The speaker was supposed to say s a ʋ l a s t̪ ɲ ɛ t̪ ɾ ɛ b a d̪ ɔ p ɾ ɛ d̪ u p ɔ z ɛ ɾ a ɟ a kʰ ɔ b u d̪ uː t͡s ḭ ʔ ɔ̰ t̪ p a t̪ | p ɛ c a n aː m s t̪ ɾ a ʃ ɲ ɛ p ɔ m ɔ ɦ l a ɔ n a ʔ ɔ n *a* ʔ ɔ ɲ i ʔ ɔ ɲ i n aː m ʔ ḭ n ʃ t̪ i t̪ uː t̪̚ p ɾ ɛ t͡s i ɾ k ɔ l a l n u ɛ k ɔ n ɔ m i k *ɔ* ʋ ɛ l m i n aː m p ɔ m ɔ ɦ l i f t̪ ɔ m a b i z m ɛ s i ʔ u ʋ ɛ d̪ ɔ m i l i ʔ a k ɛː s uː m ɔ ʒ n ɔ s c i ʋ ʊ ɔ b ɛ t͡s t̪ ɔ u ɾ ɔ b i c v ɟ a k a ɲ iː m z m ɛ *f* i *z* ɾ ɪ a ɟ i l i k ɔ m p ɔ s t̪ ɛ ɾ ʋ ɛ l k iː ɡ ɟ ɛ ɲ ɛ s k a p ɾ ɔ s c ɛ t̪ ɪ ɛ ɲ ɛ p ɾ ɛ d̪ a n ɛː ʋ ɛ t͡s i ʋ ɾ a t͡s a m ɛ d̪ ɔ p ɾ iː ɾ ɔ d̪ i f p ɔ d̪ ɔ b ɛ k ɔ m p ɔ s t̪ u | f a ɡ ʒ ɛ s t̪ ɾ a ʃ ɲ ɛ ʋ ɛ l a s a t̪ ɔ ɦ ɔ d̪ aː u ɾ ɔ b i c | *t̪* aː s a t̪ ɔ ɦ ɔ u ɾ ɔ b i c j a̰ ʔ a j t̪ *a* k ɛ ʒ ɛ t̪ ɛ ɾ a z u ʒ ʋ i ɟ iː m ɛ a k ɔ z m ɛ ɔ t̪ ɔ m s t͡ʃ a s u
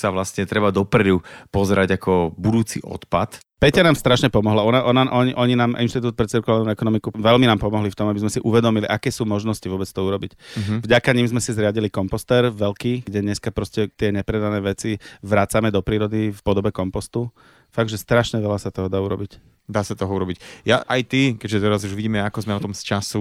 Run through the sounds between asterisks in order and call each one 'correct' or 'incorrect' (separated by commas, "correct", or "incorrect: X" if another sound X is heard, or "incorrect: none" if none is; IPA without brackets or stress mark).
correct, incorrect: u, incorrect: s, correct, incorrect: d̪, incorrect: i